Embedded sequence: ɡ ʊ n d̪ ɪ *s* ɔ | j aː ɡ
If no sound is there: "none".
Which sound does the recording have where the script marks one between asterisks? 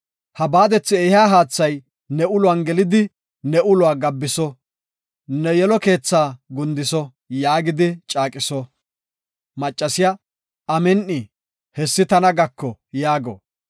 s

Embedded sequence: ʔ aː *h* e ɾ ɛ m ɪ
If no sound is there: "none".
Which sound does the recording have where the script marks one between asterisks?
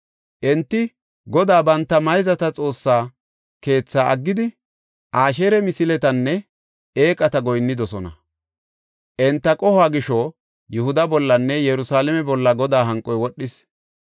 ʃ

